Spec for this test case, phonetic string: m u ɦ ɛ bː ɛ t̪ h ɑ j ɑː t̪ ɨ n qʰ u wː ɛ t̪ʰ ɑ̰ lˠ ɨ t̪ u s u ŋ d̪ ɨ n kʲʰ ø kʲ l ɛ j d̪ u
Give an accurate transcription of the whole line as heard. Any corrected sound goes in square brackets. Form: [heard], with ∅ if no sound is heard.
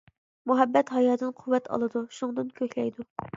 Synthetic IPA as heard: m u ɦ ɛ bː ɛ t̪ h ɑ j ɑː [d̪] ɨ n qʰ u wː ɛ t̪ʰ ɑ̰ lˠ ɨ [d̪] u [ʃ] u ŋ d̪ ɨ n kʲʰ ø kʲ l ɛ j d̪ u